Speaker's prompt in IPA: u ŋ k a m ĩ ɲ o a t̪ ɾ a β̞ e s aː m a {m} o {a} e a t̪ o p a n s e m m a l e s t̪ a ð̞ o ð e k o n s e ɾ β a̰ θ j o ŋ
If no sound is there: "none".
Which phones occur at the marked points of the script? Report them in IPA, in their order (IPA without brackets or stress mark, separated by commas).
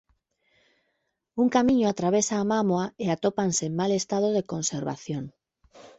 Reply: m, a